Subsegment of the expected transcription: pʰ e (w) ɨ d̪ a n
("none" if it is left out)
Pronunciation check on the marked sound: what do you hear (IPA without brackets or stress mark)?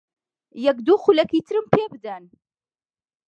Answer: b